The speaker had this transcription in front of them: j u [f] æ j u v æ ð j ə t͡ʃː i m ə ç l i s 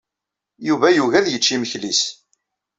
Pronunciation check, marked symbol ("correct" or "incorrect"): incorrect